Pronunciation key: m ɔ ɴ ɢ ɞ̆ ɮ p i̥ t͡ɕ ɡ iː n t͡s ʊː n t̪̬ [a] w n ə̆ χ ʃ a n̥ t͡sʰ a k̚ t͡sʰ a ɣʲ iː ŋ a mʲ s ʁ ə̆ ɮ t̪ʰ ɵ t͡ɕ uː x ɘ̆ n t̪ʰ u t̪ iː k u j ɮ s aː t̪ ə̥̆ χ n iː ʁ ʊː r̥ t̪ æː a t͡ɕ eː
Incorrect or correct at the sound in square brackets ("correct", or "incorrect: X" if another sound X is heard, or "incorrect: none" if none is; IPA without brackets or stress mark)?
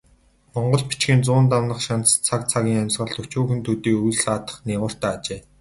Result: correct